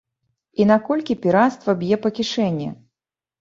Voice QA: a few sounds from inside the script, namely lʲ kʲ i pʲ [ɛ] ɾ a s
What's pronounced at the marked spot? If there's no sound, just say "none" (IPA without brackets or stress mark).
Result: i